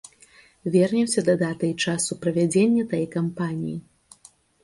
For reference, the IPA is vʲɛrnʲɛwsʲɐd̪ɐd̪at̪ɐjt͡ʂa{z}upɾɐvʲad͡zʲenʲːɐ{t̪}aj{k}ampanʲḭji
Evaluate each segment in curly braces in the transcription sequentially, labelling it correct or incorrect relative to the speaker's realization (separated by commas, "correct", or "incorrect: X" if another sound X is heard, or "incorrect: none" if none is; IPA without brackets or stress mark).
incorrect: s, correct, correct